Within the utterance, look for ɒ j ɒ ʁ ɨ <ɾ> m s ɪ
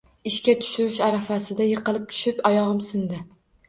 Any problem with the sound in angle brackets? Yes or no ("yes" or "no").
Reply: yes